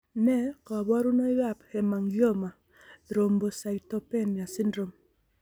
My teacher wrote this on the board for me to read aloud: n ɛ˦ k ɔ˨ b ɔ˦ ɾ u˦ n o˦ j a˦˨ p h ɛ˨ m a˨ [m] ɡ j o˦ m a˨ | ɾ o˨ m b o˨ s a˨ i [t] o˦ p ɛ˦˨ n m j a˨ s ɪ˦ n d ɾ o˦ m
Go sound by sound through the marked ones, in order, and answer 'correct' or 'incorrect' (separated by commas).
incorrect, correct